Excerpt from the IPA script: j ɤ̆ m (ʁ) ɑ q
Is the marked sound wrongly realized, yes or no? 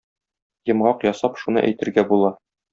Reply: no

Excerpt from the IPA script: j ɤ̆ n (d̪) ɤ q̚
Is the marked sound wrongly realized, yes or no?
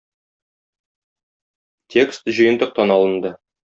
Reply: no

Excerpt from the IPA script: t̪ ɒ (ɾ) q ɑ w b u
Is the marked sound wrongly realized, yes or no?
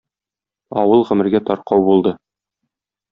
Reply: no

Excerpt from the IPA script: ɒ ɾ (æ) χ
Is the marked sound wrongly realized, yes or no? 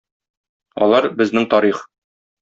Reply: yes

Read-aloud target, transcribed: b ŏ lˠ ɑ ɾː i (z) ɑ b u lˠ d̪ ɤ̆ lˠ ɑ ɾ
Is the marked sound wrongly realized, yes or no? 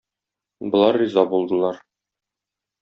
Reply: no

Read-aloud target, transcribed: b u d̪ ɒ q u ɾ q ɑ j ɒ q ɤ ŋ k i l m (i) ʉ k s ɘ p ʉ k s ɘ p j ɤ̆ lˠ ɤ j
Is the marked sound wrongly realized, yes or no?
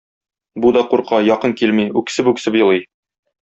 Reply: no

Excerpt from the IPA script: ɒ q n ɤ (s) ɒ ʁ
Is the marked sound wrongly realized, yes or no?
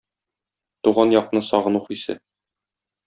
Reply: no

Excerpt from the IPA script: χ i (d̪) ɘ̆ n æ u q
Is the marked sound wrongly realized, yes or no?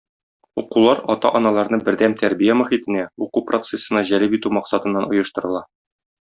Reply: yes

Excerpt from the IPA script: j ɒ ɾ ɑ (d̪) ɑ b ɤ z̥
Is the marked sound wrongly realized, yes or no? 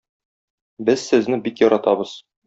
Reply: yes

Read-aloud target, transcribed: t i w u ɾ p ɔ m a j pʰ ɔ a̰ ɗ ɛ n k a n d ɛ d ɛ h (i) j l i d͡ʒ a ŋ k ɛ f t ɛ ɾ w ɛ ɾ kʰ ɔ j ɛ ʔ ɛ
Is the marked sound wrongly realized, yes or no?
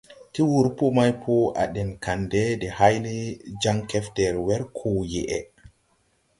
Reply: yes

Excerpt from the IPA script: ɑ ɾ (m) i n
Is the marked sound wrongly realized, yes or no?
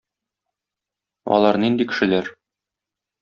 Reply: yes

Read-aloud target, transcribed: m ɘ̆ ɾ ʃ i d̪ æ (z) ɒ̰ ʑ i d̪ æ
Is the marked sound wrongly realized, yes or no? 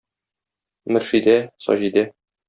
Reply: yes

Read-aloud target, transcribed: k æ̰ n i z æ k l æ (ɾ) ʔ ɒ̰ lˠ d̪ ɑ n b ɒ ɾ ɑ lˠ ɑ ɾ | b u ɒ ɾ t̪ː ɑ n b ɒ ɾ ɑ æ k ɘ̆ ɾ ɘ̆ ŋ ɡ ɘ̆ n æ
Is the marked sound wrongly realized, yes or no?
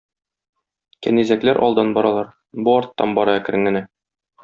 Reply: no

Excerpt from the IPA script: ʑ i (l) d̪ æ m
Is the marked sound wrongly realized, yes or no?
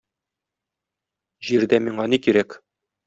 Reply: yes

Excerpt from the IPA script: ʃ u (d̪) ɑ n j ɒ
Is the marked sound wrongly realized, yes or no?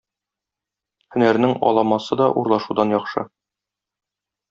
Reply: no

